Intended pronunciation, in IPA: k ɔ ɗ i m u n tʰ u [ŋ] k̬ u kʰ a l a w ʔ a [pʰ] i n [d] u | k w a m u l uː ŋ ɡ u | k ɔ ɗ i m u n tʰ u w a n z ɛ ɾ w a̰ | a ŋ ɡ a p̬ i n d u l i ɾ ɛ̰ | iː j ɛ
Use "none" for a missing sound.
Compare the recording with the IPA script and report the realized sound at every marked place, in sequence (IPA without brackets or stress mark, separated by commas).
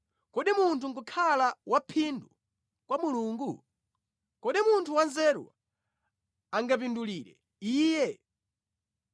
ŋ, pʰ, d